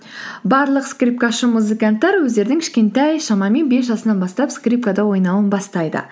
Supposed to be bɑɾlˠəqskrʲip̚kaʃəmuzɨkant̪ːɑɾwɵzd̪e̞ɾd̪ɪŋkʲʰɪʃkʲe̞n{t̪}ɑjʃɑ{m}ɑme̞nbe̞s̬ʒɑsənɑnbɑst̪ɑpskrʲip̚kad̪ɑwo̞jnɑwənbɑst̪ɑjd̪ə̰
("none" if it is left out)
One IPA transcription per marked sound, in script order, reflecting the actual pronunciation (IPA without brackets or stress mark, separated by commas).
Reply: t̪, m